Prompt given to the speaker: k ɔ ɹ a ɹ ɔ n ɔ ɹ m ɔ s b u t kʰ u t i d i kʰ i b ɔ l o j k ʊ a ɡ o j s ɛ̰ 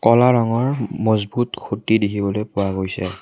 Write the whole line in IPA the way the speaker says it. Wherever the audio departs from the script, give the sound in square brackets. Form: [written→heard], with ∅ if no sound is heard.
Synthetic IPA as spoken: k ɔ [ɹ→l] a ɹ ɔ [n→ŋ] ɔ ɹ m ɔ [s→z] b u t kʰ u t i d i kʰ i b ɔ l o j [k→p] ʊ a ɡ o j s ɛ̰